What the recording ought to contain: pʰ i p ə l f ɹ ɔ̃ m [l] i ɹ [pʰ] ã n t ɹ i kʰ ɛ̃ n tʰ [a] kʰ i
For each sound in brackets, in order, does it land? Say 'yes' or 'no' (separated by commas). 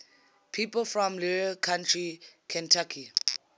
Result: yes, no, yes